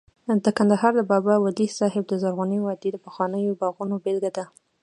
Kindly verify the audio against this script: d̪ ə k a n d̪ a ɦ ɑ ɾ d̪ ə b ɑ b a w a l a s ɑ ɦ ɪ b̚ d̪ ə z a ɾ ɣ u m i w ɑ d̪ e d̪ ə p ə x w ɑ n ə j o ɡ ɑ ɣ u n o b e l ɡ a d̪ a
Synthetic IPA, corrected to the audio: d̪ ə k a n d̪ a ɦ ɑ ɾ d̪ ə b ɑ b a w a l i s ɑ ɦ ɪ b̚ d̪ ə z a ɾ ɣ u n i w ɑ d̪ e d̪ ə p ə x w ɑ n ə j o b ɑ ɣ u n o b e l ɡ a d̪ a